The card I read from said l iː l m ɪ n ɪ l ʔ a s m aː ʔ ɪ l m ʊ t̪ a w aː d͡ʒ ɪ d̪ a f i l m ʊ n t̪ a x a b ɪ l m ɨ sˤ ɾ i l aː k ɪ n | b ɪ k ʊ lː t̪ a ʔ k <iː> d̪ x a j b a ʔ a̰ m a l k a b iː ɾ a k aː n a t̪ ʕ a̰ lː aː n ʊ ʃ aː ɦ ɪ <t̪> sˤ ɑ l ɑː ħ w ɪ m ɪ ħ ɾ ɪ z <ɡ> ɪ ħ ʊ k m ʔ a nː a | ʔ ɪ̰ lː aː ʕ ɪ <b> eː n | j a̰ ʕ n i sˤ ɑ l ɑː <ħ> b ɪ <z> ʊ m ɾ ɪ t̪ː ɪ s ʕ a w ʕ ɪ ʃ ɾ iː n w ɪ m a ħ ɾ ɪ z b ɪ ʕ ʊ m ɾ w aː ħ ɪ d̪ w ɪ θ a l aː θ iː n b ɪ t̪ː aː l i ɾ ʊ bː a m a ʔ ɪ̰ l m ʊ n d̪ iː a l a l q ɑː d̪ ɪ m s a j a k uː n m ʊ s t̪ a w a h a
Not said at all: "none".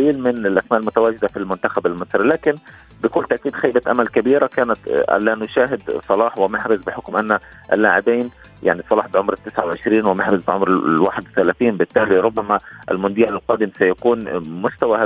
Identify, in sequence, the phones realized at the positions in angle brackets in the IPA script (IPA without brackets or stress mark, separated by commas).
iː, d̪, b, b, ħ, ʕ